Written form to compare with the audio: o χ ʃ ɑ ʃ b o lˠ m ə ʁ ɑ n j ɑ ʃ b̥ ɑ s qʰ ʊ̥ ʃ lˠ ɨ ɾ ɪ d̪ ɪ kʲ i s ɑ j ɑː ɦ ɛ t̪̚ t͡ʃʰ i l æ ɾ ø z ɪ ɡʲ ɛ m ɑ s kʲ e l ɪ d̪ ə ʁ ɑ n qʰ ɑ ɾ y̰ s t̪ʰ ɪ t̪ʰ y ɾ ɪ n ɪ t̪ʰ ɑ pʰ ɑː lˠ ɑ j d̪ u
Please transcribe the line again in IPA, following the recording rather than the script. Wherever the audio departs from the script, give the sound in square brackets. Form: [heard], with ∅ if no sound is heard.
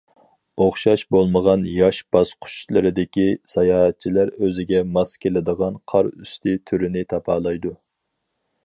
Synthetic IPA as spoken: o χ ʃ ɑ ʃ b o lˠ m ə ʁ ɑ n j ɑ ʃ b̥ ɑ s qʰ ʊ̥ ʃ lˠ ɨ ɾ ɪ d̪ ɪ kʲ i s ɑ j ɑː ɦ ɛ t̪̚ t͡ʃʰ i l æ ɾ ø z ɪ ɡʲ ɛ m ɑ s kʲ e l ɪ d̪ ə ʁ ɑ n qʰ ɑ ɾ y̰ s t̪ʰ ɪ t̪ʰ y ɾ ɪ n ɪ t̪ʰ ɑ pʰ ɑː lˠ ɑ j d̪ u

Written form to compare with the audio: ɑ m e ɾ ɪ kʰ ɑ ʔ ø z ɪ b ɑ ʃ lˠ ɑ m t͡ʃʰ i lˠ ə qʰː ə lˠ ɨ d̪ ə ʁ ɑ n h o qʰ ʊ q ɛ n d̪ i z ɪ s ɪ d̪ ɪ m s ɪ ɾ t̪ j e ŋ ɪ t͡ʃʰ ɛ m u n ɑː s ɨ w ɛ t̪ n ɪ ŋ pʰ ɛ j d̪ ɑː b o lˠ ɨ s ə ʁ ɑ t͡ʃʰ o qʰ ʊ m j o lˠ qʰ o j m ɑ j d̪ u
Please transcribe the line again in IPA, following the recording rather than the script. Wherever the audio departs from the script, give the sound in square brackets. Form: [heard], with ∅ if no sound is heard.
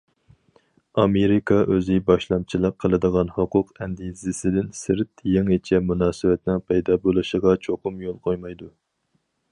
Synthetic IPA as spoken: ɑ m e ɾ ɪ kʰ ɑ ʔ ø z ɪ b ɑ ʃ lˠ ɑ m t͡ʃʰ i lˠ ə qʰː ə lˠ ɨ d̪ ə ʁ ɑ n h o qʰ ʊ q ɛ n d̪ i z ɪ s ɪ d̪ ɪ [n] s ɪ ɾ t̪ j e ŋ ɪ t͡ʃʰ ɛ m u n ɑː s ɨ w ɛ t̪ n ɪ ŋ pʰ ɛ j d̪ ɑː b o lˠ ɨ [ʃ] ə ʁ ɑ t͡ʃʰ o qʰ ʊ m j o lˠ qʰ o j m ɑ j d̪ u

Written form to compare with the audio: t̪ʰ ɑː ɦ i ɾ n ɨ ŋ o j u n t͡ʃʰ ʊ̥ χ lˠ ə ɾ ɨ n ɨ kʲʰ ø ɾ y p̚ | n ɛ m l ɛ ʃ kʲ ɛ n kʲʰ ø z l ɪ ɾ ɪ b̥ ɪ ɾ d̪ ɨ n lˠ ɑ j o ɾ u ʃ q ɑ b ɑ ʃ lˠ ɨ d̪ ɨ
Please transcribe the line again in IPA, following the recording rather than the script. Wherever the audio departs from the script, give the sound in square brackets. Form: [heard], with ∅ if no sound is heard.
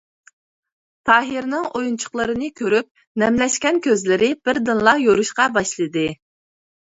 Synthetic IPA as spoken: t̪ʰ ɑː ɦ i ɾ n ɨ ŋ o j u n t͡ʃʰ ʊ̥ χ lˠ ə ɾ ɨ n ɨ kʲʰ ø ɾ y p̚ | n ɛ m l ɛ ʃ kʲ ɛ n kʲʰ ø z l ɪ ɾ ɪ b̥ ɪ ɾ d̪ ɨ n lˠ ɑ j o ɾ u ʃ q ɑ b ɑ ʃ lˠ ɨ d̪ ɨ

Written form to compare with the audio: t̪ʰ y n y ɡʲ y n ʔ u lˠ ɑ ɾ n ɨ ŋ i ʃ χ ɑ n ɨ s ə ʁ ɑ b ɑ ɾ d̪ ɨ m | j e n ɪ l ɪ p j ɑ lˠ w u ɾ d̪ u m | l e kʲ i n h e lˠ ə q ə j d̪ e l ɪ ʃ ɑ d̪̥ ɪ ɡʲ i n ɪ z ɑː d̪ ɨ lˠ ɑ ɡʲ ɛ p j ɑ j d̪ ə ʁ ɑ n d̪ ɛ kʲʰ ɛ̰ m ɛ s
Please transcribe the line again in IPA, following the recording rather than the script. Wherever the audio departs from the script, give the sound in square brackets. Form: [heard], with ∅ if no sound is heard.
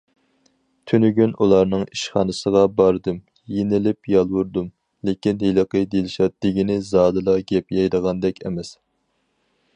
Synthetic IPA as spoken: t̪ʰ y n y ɡʲ y n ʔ u lˠ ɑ ɾ n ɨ ŋ i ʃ χ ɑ n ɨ s ə ʁ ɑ b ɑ ɾ d̪ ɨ m | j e n ɪ l ɪ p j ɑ lˠ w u ɾ d̪ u m | l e kʲ i n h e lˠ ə q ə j d̪ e l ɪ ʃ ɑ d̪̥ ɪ ɡʲ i n ɪ z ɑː d̪ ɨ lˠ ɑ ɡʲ ɛ p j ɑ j d̪ ə ʁ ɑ n d̪ ɛ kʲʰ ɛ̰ m ɛ s

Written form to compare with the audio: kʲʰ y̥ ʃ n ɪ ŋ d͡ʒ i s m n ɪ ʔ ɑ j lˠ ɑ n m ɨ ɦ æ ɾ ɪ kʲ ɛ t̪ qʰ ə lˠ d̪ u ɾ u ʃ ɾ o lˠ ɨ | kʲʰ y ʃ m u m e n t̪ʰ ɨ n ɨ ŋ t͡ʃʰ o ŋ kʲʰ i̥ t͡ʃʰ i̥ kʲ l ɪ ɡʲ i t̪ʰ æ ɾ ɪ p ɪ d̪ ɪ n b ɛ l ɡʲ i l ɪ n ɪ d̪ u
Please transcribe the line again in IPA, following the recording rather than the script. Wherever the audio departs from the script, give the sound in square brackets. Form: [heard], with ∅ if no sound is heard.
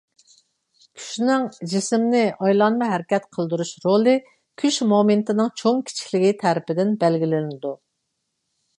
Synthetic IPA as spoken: kʲʰ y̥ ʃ n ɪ ŋ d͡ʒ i s m n ɪ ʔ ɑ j lˠ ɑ n m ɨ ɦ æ ɾ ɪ kʲ ɛ t̪ qʰ ə lˠ d̪ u ɾ u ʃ ɾ o lˠ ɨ | kʲʰ y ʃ m [o] m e n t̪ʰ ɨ n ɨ ŋ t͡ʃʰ o ŋ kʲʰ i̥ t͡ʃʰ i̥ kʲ l ɪ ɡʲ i t̪ʰ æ ɾ ɪ p ɪ d̪ ɪ n b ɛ l ɡʲ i l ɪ n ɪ d̪ u

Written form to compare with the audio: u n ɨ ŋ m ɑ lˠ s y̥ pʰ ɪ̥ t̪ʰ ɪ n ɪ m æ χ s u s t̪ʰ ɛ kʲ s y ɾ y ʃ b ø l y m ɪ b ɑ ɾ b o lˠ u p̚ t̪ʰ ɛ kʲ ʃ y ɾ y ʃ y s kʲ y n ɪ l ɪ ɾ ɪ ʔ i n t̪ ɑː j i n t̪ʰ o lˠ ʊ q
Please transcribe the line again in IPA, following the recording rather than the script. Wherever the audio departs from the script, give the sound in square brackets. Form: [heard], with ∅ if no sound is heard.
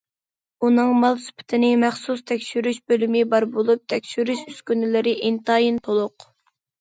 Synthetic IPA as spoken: u n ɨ ŋ m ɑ lˠ s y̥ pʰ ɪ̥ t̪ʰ ɪ n ɪ m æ χ s u s t̪ʰ ɛ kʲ [ʃ] y ɾ y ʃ b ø l y m ɪ b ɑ ɾ b o lˠ u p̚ t̪ʰ ɛ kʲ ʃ y ɾ y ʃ y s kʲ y n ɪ l ɪ ɾ ɪ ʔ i n t̪ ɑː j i n t̪ʰ o lˠ ʊ q

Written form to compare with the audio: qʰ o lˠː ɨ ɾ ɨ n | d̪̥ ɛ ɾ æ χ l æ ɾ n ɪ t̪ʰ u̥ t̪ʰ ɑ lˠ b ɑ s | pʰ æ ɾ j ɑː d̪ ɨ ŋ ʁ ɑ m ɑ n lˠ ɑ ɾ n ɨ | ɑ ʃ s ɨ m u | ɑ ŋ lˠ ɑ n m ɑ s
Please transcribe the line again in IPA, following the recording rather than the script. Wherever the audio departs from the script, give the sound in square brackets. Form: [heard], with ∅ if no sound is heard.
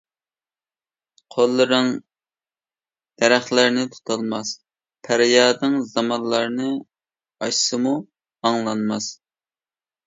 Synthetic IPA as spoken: qʰ o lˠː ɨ ɾ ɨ [ŋ] | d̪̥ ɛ ɾ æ χ l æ ɾ n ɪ t̪ʰ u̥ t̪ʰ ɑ lˠ [m] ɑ s | pʰ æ ɾ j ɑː d̪ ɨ ŋ [z] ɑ m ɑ n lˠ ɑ ɾ n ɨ | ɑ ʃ s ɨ m u | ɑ ŋ lˠ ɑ n m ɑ s

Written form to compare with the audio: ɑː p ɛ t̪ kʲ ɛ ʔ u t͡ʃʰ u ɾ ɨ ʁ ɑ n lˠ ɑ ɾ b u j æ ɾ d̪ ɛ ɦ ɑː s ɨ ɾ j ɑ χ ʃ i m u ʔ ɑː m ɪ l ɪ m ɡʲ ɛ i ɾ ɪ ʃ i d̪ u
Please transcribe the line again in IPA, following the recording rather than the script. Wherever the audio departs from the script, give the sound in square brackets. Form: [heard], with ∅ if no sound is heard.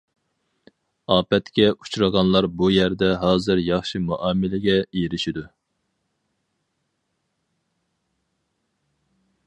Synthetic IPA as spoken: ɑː p ɛ t̪ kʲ ɛ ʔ u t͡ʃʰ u ɾ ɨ ʁ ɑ n lˠ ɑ ɾ b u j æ ɾ d̪ ɛ ɦ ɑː [z] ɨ ɾ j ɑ χ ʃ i m u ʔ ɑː m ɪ l ɪ [∅] ɡʲ ɛ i ɾ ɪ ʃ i d̪ u

